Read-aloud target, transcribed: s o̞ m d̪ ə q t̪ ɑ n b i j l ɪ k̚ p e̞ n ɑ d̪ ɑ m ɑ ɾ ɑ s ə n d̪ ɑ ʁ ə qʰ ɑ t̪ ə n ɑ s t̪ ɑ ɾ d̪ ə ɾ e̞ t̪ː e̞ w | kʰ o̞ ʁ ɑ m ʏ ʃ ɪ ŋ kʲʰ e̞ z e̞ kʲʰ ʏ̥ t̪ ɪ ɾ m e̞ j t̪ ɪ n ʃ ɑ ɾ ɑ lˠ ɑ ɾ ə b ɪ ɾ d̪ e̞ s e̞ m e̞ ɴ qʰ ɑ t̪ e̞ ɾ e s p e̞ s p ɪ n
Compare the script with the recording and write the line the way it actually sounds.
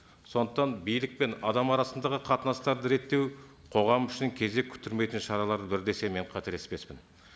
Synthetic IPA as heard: s o̞ n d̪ ə q t̪ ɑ n b i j l ɪ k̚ p e̞ n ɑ d̪ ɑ m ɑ ɾ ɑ s ə n d̪ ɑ ʁ ə qʰ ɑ t̪ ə n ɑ s t̪ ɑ ɾ d̪ ə ɾ e̞ t̪ː e̞ w | qʰ o̞ ʁ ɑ m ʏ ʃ ɪ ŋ kʲʰ e̞ z e̞ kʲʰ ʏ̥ t̪ ɪ ɾ m e̞ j t̪ ɪ n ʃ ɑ ɾ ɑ lˠ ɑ ɾ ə b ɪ ɾ d̪ e̞ s e̞ m e̞ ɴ qʰ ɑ t̪ e̞ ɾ e s p e̞ s p ɪ n